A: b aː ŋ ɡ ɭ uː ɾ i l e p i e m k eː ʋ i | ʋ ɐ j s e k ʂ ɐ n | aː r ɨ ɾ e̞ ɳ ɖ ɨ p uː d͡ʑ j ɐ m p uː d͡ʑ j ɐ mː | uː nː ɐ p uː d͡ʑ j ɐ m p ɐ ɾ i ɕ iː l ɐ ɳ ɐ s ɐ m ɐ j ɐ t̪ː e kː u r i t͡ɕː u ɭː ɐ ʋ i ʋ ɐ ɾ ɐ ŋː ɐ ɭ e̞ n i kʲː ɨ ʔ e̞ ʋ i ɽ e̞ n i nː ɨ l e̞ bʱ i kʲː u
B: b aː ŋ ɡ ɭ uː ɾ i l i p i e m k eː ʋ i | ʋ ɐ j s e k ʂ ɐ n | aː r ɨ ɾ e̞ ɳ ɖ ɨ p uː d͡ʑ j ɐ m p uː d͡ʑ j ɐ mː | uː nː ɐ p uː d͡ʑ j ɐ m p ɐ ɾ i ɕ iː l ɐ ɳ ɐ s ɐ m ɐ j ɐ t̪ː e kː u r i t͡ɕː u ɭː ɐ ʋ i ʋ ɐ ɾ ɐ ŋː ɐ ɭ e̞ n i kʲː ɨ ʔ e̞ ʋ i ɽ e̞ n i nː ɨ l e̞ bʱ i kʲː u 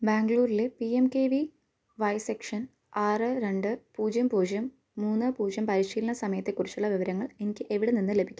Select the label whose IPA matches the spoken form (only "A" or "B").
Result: A